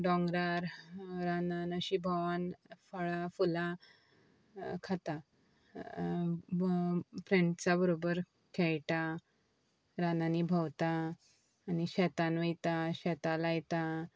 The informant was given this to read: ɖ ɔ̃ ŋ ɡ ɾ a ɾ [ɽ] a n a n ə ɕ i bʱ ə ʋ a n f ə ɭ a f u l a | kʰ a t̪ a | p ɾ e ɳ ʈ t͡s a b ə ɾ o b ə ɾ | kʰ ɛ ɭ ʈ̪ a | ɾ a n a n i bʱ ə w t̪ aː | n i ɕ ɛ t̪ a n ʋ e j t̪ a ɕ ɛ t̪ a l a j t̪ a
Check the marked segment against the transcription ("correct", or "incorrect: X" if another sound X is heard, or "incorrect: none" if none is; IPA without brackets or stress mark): incorrect: ɾ